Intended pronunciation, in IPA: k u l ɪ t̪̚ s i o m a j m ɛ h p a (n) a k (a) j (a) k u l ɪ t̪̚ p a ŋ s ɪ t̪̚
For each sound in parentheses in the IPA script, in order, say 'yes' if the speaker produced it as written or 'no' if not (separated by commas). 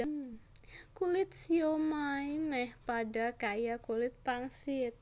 no, yes, yes